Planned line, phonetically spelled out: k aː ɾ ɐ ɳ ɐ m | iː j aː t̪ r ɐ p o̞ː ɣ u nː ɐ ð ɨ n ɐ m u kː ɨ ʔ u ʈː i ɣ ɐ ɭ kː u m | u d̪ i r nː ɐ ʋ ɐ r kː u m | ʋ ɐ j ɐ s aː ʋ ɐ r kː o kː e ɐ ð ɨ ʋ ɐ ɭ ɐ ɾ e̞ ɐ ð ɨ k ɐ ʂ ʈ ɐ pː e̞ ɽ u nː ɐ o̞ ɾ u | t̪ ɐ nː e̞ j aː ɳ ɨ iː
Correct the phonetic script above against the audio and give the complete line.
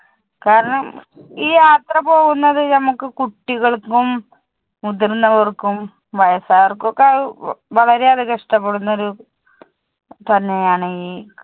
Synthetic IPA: k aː ɾ ɐ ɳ ɐ m | iː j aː t̪ r ɐ p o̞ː ɣ u nː ɐ ð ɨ n ɐ m u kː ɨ k u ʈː i ɣ ɐ ɭ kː u m | u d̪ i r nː ɐ ʋ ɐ r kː u m | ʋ ɐ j ɐ s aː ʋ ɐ r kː o kː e ɐ ð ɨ ʋ ɐ ɭ ɐ ɾ e̞ ɐ ð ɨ k ɐ ʂ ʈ ɐ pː e̞ ɽ u nː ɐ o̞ ɾ u | t̪ ɐ nː e̞ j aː ɳ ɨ iː